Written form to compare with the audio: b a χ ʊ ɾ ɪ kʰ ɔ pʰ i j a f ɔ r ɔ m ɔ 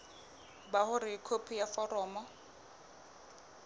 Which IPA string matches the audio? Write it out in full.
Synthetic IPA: b a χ ʊ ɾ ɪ kʰ o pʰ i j a f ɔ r ɔː m ɔ